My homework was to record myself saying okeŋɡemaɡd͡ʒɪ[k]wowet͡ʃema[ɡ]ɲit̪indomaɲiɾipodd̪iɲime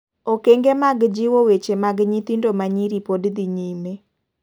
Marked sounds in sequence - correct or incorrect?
incorrect: none, correct

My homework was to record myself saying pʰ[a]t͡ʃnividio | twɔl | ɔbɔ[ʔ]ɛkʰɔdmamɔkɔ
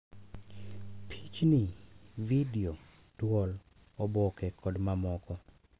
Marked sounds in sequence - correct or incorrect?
incorrect: i, incorrect: k

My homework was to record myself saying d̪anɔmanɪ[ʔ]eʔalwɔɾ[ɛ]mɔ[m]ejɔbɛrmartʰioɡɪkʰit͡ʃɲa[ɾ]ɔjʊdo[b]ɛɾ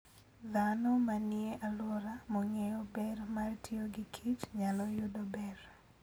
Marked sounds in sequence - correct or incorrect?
incorrect: none, incorrect: a, incorrect: ŋ, incorrect: l, correct

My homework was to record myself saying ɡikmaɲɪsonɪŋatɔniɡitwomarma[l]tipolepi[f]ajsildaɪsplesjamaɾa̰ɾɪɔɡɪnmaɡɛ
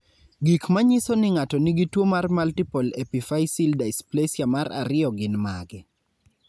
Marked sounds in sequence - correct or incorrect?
correct, correct

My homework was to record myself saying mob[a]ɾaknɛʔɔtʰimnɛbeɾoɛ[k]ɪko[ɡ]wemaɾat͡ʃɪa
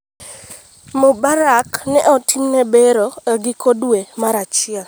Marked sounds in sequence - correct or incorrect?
correct, incorrect: ɡ, incorrect: d

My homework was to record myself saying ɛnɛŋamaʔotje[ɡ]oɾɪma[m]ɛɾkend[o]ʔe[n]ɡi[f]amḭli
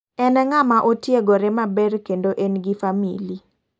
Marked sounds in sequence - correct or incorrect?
correct, incorrect: b, correct, correct, correct

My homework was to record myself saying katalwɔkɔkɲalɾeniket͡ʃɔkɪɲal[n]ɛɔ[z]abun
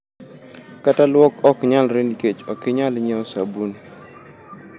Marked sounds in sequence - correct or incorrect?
incorrect: ɲ, incorrect: s

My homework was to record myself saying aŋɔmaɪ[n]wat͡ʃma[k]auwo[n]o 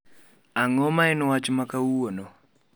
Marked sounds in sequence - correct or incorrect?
correct, correct, correct

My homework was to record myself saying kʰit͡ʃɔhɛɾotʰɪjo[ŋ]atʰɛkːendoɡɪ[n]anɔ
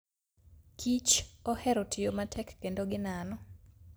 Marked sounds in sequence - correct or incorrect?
incorrect: m, correct

